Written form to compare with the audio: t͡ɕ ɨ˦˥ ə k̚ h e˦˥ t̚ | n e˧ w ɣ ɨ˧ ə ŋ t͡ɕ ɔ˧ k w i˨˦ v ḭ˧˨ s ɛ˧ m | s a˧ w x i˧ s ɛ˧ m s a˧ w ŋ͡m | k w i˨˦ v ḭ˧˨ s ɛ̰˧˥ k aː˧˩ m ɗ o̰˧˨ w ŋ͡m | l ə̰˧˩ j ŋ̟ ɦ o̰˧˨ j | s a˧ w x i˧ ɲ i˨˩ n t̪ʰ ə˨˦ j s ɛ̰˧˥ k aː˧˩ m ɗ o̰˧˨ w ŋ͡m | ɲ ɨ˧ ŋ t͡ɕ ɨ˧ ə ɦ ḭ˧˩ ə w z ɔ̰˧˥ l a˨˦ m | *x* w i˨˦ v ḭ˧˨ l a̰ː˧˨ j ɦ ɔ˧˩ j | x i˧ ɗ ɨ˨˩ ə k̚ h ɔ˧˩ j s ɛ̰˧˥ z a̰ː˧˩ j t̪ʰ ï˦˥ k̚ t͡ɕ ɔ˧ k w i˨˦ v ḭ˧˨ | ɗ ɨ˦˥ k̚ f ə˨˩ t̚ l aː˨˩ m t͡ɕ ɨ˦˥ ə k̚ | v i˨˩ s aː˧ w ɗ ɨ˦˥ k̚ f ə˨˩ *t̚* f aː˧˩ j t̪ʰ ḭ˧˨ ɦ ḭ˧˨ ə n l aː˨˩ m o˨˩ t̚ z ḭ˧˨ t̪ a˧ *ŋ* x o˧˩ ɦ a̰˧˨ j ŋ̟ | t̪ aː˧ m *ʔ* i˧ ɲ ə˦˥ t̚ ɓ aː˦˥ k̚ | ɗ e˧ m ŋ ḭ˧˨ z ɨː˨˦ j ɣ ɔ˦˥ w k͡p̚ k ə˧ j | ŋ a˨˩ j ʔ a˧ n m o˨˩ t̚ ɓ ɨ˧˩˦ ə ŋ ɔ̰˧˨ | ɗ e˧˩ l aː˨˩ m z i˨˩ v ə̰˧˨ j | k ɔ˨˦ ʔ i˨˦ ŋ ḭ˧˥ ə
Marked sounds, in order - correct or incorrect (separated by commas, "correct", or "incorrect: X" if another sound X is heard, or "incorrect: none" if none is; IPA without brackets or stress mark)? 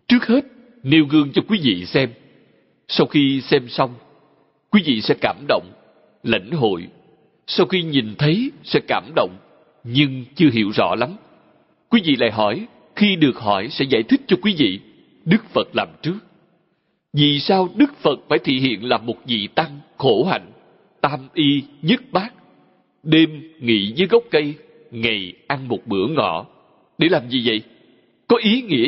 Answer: incorrect: k, correct, correct, correct